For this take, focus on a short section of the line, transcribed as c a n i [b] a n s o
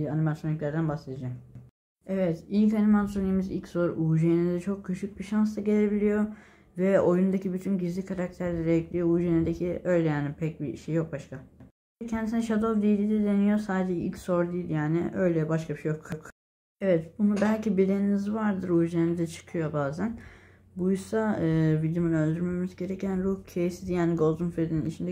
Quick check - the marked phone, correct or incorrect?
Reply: incorrect